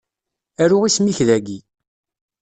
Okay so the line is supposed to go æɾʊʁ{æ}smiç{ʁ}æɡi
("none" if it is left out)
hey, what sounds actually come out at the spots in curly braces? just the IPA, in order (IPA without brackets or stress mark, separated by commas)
i, ð